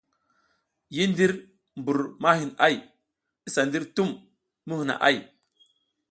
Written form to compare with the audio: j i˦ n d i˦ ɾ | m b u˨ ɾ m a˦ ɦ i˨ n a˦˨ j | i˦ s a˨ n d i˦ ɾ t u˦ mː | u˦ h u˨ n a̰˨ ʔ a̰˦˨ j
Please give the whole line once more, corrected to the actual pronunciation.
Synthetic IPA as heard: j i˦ n d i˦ ɾ | m b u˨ ɾ m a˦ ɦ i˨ n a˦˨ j | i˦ s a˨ n d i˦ ɾ t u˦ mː | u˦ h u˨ n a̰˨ ʔ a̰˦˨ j